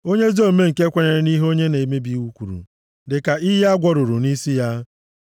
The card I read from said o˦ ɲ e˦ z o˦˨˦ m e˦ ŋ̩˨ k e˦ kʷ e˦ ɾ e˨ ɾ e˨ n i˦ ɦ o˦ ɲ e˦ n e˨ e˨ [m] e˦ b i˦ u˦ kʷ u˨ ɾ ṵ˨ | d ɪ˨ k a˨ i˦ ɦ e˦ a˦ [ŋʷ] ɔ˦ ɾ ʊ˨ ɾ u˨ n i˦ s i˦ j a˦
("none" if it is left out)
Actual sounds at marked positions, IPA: m, ɡʷ

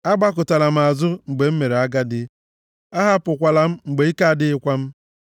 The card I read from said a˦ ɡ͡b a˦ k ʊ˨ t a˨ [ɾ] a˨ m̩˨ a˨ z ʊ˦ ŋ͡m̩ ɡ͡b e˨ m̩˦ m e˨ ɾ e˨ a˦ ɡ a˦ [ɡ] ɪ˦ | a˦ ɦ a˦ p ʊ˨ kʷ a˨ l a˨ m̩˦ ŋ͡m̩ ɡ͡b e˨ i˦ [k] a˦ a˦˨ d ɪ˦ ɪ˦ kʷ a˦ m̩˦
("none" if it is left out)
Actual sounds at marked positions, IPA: l, d, k

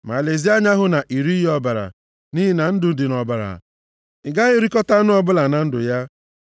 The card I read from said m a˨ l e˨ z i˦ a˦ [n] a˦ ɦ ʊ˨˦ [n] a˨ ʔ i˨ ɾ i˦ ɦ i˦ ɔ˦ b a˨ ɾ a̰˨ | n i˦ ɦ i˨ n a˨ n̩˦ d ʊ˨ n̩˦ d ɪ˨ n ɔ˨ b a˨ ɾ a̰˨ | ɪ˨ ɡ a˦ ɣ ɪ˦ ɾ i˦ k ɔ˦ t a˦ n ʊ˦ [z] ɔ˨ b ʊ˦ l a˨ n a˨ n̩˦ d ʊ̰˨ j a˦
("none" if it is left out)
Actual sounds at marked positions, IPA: ɲ, n, none

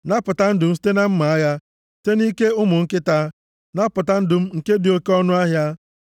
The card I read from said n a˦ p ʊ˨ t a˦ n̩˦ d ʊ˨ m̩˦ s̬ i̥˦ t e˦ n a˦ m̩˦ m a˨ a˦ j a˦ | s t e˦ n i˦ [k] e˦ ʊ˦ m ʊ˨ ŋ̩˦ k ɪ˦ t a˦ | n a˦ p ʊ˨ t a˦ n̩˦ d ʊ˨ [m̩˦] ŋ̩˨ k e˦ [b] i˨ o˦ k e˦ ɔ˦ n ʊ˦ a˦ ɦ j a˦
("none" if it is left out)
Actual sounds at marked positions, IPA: k, m̩˦, d

